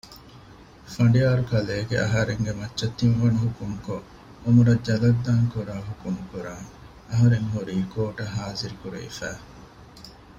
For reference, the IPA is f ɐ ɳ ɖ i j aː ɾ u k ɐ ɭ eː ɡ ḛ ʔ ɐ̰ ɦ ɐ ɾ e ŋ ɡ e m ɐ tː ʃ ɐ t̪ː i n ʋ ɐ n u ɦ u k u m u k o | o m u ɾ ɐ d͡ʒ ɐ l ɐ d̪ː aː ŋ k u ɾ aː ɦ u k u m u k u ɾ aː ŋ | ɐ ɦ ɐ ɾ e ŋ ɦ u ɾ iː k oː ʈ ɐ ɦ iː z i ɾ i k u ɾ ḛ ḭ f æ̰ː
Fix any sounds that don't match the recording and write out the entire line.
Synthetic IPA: f ɐ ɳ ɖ i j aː ɾ u k ɐ l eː ɡ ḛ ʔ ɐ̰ ɦ ɐ ɾ e ŋ ɡ e m ɐ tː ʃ ɐ t̪ː i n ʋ ɐ n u ɦ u k u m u k o | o m u ɾ ɐ d͡ʒ ɐ l ɐ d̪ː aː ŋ k u ɾ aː ɦ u k u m u k u ɾ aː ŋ | ɐ ɦ ɐ ɾ e ŋ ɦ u ɾ iː k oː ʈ ɐ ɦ aː z i ɾ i k u ɾ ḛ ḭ f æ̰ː